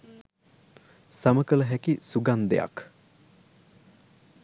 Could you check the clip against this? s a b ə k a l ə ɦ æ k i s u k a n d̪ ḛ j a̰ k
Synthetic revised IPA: s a m ə k ə l ə ɦ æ k i s u ɡ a n d̪ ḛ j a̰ k